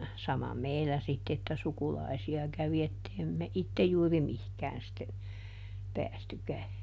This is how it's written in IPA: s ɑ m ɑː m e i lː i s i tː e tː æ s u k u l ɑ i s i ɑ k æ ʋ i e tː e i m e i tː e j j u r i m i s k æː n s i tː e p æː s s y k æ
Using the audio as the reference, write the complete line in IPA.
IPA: s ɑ m ɑ m e i lː æ s i tː e tː æ s u k u l ɑ i s i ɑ k æ ʋ i e tː e i m e i tː e j j uː r i m i h k æː n s i tː e p æː s t y k æ